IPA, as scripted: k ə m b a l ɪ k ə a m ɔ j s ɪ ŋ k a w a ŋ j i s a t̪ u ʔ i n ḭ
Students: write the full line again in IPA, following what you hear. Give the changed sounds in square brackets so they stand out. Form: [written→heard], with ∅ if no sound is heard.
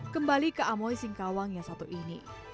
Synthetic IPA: k ə m b a l [ɪ→i] k ə a m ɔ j s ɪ ŋ k a w a ŋ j [i→a] s a t̪ u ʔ i n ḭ